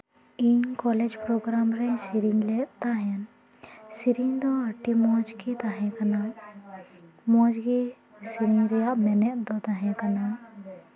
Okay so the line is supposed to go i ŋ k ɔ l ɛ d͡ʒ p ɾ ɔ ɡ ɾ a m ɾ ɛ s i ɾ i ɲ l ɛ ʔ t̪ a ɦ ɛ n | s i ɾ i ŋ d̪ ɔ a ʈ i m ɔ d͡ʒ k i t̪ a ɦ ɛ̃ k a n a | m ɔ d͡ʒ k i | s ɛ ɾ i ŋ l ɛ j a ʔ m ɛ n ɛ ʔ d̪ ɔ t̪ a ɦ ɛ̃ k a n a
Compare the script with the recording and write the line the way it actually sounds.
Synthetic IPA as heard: i ɲ k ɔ l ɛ d͡ʒ p ɾ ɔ ɡ ɾ a m ɾ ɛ s i ɾ i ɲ l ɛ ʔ t̪ a ɦ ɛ n | s i ɾ i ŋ d̪ ɔ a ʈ i m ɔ d͡ʒ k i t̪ a ɦ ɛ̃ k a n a | m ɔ d͡ʒ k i | s i ɾ i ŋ ɾ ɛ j a ʔ m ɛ n ɛ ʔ d̪ ɔ t̪ a ɦ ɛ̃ k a n a